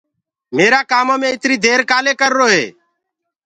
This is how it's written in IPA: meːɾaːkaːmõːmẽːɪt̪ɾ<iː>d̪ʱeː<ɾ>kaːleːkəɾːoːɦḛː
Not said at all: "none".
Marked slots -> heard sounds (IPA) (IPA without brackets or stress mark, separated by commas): iː, ɾ